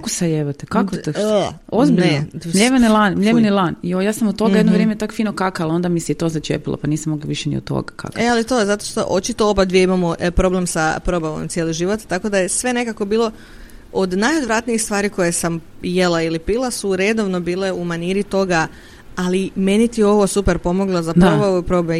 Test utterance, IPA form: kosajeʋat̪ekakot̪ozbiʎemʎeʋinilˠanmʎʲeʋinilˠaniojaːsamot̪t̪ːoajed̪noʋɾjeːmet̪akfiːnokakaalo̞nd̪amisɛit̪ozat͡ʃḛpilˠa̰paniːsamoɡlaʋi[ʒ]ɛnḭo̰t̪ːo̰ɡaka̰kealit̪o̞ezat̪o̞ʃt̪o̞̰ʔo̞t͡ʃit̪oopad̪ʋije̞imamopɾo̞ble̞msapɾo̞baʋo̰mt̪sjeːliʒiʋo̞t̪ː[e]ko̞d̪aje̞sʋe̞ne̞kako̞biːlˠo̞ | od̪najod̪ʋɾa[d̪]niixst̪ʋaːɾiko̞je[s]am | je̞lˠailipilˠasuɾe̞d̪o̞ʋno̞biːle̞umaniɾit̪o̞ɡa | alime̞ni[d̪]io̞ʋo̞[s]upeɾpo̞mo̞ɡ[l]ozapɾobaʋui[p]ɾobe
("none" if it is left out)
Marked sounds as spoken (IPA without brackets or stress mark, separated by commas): ʃ, a, t̪, s, t̪, s, l, p